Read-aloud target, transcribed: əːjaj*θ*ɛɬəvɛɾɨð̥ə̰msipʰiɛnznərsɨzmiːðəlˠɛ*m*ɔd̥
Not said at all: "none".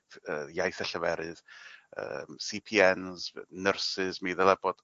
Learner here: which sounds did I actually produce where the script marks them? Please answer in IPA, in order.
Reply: θ, b

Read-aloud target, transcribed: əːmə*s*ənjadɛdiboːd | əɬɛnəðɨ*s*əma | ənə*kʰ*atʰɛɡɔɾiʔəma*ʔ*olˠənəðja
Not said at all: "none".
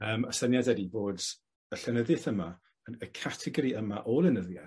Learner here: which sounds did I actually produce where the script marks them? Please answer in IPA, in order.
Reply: s, θ, kʰ, ʔ

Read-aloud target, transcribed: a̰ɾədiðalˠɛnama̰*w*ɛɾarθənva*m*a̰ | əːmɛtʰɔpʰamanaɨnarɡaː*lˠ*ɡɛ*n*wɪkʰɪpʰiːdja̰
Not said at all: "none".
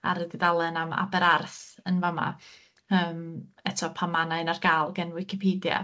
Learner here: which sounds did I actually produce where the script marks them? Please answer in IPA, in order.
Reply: b, m, lˠ, n

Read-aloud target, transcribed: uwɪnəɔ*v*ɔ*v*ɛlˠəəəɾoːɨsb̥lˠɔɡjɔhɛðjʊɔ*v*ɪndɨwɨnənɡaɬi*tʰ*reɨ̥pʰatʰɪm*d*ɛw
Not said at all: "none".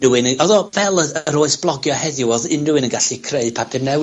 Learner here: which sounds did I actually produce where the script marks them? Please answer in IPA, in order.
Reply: ð, v, ð, kʰ, n

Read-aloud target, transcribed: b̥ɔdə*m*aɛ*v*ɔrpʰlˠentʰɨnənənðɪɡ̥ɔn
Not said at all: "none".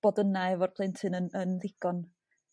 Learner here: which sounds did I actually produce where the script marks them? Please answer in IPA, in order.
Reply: n, v

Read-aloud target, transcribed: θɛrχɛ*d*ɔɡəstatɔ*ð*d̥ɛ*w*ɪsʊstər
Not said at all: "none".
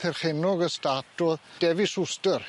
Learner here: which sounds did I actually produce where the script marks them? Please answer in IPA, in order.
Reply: n, ð, v

